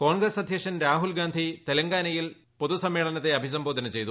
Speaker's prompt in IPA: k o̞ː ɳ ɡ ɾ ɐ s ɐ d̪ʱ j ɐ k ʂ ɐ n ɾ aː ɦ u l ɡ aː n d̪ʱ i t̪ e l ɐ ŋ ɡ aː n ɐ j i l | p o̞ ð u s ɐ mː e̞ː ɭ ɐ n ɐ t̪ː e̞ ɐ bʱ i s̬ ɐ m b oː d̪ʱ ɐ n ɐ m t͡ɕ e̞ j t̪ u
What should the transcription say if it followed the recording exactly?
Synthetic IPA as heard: k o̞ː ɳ ɡ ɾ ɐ s ɐ d̪ʱ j ɐ k ʂ ɐ n ɾ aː ɦ u l ɡ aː n d̪ʱ i t̪ e l ɐ ŋ ɡ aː n ɐ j i l | p o̞ ð u s ɐ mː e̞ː ɭ ɐ n ɐ t̪ː e̞ ɐ bʱ i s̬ ɐ m b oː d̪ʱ ɐ n ɐ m t͡ɕ e̞ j t̪ u